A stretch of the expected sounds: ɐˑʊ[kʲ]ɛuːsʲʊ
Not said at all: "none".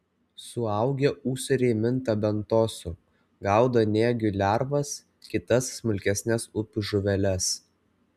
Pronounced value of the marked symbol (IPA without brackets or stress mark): ɡʲ